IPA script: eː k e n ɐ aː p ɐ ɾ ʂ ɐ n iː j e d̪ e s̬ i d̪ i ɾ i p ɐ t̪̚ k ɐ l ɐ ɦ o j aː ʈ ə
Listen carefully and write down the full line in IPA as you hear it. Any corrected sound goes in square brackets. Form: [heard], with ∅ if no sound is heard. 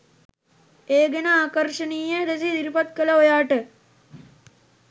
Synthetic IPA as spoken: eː [ɡ] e n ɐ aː [k] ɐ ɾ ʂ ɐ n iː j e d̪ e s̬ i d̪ i ɾ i p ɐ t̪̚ k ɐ l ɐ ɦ o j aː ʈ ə

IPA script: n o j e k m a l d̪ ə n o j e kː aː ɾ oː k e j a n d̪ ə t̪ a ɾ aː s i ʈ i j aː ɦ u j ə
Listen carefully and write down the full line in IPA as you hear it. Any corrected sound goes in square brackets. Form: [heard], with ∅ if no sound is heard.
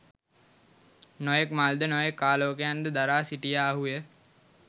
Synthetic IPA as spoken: n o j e k m a l d̪ ə n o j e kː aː [l] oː k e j a n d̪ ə [d̪] a ɾ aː s i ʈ i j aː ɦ u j ə

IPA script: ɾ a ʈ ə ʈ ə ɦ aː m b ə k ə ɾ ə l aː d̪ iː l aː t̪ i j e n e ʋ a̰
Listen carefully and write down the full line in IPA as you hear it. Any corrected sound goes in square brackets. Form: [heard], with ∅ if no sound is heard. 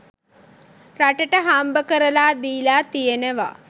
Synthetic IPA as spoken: ɾ a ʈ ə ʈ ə ɦ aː m b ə k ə ɾ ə l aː d̪ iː l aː t̪ i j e n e ʋ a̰

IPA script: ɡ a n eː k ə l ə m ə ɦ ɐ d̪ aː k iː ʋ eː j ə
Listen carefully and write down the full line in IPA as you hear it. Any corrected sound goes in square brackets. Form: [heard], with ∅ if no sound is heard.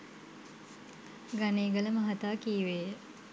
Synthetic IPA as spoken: ɡ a n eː [ɡ] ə l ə m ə ɦ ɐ [t̪] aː k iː ʋ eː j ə

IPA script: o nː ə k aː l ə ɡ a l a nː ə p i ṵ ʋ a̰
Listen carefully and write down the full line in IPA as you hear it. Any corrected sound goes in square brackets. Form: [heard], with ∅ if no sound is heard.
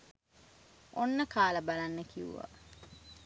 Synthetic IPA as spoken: o nː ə k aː l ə [b] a l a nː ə [k] i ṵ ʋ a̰

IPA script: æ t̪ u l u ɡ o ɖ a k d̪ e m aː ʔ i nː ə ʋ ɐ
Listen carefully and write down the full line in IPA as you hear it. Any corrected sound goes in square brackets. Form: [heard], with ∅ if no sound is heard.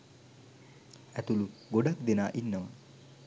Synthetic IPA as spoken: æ t̪ u l u ɡ o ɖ a k d̪ e [n] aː ʔ i nː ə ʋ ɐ

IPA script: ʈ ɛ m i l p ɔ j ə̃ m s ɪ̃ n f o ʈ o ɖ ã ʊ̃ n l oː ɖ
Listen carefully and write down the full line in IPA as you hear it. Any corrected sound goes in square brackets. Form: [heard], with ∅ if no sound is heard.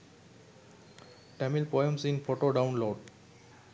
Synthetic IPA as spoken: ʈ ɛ m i l p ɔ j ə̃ m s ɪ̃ n f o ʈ o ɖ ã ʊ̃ n l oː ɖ

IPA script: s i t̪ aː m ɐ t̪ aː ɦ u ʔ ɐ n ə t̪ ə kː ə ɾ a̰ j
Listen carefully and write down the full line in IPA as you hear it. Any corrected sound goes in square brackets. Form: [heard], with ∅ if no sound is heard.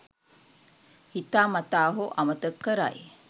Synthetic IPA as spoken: [h] i t̪ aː m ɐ t̪ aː ɦ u ʔ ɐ [m] ə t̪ ə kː ə ɾ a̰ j

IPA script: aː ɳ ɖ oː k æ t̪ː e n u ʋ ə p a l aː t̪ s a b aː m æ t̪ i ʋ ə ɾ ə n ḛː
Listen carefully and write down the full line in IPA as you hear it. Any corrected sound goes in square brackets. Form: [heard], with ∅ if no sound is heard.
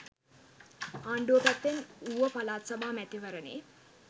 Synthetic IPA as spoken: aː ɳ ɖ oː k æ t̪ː e n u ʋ ə p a l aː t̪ s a b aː m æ t̪ i ʋ ə ɾ ə n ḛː

